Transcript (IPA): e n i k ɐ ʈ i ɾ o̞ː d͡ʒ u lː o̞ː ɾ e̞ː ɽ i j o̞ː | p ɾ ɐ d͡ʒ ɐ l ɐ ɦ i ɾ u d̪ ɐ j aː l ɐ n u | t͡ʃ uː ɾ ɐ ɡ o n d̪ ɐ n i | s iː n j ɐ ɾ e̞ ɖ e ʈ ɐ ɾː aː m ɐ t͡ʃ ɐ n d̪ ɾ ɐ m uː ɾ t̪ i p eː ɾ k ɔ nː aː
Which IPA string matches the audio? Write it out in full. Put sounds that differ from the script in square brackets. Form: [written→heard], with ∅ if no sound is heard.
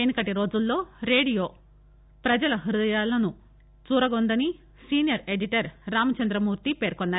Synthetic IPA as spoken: e n i k ɐ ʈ i ɾ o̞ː d͡ʒ u lː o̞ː ɾ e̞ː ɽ i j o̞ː | p ɾ ɐ d͡ʒ ɐ l ɐ ɦ i ɾ u d̪ ɐ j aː l ɐ n u | t͡ʃ uː ɾ ɐ ɡ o n d̪ ɐ n i | s iː n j ɐ ɾ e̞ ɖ [e→i] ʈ ɐ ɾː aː m ɐ t͡ʃ ɐ n d̪ ɾ ɐ m uː ɾ t̪ i p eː ɾ k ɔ nː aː